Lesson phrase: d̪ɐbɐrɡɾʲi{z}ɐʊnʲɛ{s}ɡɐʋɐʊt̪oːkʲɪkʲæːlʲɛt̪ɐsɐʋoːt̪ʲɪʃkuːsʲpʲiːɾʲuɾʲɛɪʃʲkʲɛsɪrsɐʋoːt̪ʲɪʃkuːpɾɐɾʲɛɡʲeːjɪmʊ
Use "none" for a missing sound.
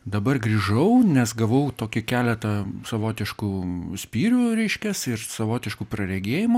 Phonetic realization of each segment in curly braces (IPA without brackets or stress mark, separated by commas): ʒ, s